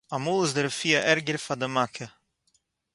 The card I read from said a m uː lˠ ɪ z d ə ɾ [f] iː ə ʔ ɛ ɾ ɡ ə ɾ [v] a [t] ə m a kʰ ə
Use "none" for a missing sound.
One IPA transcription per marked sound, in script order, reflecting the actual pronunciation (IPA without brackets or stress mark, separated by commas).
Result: f, f, d